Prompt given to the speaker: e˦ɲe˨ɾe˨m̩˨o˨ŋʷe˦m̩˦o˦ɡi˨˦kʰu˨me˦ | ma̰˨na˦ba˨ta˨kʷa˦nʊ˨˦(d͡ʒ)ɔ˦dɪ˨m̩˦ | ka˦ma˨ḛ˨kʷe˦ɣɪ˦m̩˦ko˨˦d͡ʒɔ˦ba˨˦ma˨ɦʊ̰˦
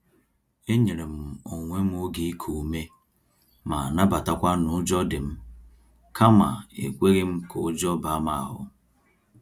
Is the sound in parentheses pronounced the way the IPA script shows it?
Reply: yes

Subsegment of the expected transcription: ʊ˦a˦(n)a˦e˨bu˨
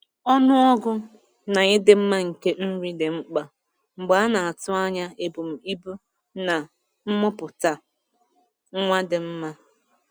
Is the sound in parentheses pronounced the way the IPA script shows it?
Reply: no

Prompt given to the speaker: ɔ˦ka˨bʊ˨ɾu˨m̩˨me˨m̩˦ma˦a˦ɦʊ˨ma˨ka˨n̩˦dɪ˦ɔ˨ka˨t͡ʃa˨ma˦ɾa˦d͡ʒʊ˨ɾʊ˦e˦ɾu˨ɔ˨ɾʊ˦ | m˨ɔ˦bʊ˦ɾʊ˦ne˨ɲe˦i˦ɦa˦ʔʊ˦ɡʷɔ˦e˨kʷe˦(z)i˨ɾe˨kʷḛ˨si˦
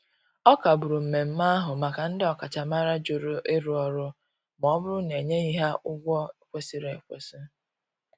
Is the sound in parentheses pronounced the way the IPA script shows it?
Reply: no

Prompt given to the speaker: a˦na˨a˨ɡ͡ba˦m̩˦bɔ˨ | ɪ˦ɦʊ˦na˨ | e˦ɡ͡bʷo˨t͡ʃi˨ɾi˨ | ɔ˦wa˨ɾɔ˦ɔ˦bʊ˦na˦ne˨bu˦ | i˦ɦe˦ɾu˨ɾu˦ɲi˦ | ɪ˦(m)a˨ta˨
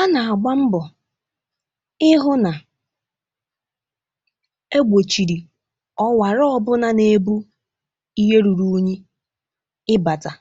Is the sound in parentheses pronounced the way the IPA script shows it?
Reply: no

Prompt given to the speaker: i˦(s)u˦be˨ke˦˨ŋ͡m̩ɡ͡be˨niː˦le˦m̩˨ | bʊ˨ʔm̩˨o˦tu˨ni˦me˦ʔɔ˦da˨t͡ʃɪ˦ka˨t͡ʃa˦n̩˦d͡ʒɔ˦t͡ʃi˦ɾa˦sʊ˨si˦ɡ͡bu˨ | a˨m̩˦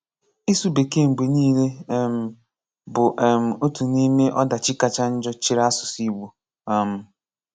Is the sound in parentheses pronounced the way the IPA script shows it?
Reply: yes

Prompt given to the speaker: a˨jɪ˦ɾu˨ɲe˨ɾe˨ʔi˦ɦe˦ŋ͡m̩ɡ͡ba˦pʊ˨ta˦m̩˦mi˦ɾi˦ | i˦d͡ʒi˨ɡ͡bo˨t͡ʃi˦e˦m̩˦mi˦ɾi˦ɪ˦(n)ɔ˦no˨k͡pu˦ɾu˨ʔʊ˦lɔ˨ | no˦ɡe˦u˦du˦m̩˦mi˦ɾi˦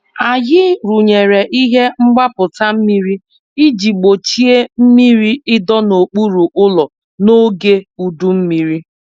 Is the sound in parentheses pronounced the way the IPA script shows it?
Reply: no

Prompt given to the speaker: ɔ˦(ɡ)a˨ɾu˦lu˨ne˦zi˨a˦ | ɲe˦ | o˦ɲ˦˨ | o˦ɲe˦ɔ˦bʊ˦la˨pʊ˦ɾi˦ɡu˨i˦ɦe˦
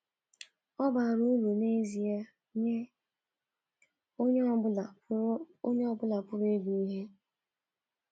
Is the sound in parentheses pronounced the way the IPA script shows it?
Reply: no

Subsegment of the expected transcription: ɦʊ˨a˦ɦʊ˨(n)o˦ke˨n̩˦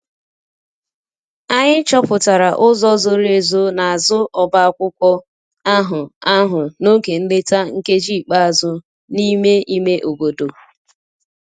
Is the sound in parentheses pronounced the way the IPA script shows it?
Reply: yes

